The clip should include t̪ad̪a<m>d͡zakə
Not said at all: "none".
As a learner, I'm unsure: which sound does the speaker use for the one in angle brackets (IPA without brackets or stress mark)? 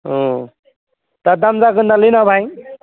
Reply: m